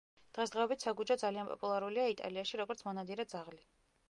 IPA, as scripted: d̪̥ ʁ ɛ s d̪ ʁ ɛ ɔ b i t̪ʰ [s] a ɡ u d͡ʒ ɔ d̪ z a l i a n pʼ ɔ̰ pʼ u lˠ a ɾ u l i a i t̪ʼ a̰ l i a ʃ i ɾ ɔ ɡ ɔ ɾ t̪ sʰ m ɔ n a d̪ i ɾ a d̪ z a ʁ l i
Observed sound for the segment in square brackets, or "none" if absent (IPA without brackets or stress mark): s